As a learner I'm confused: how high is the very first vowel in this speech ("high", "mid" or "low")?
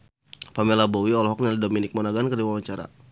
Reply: low